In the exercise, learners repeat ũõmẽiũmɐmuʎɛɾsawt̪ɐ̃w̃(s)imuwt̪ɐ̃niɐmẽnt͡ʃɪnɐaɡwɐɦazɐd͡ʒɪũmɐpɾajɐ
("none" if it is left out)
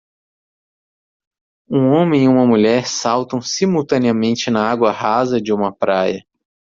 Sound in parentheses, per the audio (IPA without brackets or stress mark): s